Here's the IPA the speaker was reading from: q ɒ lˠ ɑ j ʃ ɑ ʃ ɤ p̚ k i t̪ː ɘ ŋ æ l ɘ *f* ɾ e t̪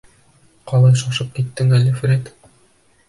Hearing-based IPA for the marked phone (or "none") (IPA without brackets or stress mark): f